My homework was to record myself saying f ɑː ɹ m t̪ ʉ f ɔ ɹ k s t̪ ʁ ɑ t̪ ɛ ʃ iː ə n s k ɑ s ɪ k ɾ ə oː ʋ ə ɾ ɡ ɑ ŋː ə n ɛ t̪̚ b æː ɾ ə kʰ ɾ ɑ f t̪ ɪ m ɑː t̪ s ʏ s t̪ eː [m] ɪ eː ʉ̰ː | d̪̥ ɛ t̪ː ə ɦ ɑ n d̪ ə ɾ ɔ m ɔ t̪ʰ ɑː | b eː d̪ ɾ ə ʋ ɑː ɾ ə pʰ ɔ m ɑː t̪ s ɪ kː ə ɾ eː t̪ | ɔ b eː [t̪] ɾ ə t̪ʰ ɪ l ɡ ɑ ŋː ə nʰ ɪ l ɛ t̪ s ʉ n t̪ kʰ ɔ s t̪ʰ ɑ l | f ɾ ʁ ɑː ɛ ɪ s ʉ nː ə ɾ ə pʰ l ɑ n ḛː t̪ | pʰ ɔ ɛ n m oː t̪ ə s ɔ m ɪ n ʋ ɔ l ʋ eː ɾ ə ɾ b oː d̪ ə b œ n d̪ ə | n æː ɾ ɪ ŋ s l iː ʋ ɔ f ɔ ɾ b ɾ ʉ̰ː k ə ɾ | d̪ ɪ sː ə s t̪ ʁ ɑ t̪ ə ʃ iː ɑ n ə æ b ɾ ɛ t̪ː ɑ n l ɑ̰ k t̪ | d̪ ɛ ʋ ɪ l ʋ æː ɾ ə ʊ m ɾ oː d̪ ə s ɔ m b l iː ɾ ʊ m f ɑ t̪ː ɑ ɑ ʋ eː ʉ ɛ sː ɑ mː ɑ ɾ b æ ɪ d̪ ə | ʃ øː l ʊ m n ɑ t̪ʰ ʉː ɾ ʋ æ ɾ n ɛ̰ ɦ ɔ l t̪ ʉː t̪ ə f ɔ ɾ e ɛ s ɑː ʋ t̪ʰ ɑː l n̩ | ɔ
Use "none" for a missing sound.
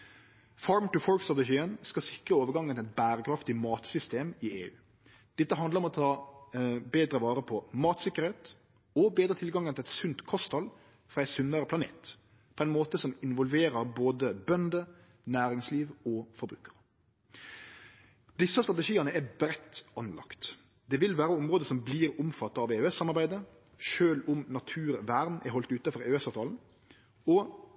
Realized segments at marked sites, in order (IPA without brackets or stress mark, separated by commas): m, d̪